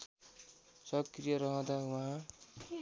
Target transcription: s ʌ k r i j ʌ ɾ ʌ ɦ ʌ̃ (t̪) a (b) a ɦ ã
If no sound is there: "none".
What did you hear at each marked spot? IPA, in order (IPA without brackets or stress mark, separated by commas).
d̪, w